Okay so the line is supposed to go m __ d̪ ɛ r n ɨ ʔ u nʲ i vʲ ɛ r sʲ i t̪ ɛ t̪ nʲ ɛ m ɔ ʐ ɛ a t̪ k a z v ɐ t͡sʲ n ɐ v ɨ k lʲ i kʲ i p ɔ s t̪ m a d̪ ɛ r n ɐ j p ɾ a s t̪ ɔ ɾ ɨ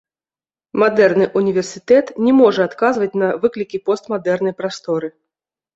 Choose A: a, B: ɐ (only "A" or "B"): A